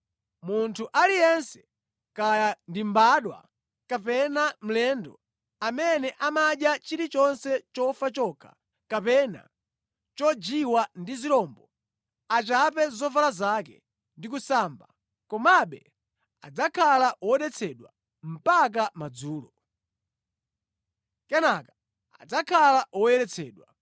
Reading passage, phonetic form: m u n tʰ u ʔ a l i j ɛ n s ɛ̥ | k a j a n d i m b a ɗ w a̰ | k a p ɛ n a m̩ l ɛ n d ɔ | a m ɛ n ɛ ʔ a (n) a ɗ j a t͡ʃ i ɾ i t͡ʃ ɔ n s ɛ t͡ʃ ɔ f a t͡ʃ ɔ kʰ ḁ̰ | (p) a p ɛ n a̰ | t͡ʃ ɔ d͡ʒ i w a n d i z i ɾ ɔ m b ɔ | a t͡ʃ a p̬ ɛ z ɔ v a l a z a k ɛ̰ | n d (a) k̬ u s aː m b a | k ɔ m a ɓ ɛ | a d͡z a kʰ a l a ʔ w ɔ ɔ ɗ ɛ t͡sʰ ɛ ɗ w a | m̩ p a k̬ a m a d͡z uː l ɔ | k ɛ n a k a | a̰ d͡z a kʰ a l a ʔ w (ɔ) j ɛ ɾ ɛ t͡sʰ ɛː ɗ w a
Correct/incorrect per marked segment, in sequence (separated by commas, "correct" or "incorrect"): incorrect, incorrect, incorrect, correct